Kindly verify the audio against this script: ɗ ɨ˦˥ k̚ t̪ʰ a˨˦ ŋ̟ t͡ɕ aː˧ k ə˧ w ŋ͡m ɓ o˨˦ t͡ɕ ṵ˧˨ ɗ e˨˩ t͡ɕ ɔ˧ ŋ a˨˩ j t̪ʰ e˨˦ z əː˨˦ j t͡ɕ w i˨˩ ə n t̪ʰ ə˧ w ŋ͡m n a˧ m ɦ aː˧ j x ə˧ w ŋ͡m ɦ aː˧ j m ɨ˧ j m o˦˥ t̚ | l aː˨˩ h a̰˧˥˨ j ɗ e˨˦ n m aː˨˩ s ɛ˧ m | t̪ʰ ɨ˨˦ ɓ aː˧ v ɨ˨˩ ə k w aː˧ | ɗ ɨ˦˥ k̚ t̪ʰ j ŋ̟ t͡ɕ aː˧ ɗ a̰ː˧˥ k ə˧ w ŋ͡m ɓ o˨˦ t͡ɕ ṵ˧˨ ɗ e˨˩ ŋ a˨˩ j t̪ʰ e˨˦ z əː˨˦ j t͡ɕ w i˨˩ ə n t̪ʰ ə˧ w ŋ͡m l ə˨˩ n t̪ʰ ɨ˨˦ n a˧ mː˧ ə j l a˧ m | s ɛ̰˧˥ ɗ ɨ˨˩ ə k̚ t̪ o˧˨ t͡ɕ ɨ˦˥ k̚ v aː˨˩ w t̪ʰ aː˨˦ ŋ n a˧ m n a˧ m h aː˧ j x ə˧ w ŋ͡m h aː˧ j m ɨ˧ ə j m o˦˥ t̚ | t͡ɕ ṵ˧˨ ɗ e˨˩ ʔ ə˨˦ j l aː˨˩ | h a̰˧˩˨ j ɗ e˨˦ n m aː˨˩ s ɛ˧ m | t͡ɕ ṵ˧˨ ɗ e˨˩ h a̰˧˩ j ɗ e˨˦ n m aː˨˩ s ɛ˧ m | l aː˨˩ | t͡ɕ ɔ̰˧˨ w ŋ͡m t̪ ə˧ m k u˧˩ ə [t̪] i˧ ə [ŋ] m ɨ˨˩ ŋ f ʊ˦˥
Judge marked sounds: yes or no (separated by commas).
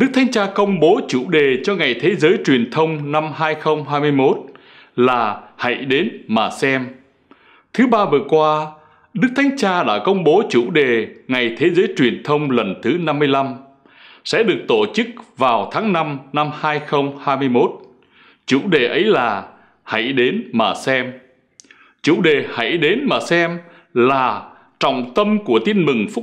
yes, no